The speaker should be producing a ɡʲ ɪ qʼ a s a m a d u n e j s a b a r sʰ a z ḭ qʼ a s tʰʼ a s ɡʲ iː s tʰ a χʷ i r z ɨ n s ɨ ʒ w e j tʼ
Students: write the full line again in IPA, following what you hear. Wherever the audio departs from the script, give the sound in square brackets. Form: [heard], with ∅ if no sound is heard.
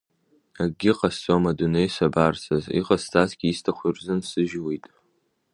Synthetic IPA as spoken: a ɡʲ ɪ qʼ a s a m a d u n e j s a b a r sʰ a z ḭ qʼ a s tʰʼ a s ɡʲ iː s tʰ a χʷ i r z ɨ n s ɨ ʒ w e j tʼ